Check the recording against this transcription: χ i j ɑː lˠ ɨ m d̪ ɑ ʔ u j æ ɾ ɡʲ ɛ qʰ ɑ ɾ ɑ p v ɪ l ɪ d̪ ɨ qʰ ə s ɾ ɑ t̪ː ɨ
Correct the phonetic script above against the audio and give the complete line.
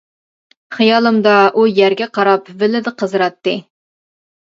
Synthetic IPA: χ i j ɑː lˠ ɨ m d̪ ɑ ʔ u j æ ɾ ɡʲ ɛ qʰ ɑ ɾ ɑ p v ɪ l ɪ d̪ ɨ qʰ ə z ɾ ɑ t̪ː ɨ